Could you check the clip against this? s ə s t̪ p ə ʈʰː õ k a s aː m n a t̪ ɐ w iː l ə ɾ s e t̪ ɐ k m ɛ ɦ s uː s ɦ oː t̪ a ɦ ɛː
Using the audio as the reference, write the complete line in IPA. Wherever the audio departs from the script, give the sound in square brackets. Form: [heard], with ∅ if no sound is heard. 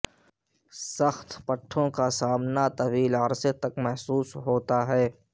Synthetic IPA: s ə [x] t̪ p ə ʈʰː õ k a s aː m n a t̪ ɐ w iː l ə ɾ s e t̪ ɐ k m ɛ ɦ s uː s ɦ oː t̪ a ɦ ɛː